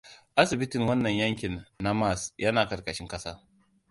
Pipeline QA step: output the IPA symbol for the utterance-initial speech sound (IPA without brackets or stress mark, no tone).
ʔ